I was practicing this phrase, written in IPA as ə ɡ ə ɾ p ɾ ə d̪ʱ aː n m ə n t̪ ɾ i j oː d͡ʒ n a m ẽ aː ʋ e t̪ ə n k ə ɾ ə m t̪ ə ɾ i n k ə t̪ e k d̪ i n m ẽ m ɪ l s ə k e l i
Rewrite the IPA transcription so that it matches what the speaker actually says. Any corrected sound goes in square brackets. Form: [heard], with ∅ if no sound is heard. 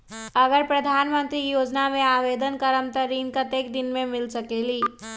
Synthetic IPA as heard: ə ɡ ə ɾ p ɾ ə d̪ʱ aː n m ə n t̪ ɾ i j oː d͡ʒ n a m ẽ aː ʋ e [d̪] ə n k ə ɾ ə m t̪ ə ɾ i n k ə t̪ e k d̪ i n m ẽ m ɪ l s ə k e l i